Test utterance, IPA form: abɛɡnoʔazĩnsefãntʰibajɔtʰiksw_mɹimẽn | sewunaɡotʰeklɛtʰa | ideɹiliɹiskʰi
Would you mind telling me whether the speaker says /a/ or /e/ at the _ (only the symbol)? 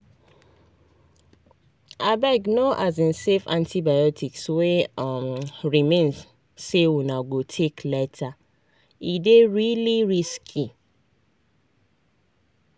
e